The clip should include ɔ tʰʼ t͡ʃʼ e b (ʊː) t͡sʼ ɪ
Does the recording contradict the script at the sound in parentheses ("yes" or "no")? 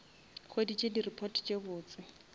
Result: no